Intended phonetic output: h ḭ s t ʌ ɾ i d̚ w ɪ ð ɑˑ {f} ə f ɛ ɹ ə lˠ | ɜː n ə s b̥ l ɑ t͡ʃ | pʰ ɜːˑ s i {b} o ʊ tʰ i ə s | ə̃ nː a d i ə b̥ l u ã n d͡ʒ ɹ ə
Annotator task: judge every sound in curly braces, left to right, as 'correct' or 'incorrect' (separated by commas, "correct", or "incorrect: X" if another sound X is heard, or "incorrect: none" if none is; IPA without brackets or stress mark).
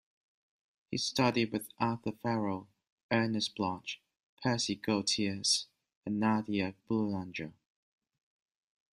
incorrect: θ, incorrect: ɡ